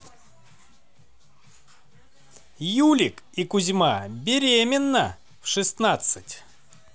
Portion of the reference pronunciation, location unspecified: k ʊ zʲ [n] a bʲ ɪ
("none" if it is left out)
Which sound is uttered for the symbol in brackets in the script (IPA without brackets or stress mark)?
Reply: m